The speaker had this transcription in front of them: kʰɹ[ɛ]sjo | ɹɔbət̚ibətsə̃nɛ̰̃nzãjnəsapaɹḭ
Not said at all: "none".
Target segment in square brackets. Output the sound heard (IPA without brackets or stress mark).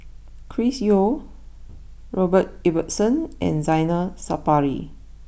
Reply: i